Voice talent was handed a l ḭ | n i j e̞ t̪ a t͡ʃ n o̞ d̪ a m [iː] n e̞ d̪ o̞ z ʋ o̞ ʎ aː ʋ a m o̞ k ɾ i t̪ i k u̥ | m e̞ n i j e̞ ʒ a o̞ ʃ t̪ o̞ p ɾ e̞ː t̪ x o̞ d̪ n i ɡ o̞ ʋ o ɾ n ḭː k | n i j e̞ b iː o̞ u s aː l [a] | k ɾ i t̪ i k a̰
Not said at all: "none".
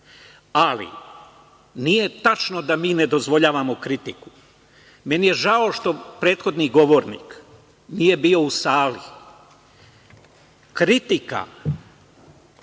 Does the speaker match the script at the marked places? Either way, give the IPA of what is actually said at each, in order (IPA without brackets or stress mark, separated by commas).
iː, i